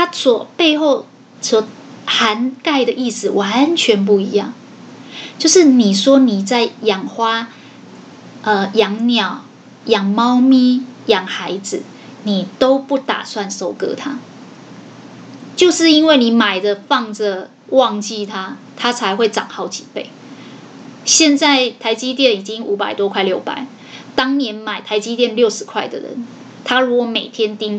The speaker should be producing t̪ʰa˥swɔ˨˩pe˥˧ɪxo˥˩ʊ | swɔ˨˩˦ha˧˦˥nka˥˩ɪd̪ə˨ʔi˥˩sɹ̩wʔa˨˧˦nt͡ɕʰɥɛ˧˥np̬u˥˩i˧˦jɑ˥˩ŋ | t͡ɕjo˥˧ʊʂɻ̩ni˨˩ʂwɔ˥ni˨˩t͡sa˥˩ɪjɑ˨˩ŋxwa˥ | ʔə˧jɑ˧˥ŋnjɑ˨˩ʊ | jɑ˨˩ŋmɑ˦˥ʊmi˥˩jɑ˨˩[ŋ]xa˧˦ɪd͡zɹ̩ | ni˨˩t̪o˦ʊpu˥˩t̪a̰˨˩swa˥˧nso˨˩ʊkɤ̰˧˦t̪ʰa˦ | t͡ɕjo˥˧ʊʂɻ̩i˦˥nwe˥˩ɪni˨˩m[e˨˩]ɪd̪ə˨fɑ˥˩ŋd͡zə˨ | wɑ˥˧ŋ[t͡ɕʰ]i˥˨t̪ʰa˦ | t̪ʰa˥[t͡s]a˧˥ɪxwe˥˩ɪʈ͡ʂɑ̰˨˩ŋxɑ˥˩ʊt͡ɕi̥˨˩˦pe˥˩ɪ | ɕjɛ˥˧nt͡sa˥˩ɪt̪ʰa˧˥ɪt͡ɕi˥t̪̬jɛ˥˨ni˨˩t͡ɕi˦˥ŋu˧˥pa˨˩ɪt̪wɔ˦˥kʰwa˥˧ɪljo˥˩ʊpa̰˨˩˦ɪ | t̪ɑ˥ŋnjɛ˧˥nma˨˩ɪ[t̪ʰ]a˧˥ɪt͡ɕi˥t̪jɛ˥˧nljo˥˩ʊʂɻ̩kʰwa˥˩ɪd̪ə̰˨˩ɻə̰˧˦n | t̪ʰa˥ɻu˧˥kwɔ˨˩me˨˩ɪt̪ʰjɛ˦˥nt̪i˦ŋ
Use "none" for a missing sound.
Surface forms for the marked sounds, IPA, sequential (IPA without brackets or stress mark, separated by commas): ŋ, a˨˩, t͡ɕ, t͡sʰ, t̪ʰ